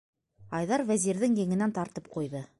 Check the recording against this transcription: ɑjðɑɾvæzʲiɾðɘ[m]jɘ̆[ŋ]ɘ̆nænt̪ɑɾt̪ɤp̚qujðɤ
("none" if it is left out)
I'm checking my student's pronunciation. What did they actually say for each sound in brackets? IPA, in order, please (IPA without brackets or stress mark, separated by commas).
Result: ŋ, ŋ